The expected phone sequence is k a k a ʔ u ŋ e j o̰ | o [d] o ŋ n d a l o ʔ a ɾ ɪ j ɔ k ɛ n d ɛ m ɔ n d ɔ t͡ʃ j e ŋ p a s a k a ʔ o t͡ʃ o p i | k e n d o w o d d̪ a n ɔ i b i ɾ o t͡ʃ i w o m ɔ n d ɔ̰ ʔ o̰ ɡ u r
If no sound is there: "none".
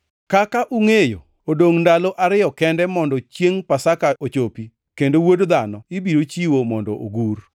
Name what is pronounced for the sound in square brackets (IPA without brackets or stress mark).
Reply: d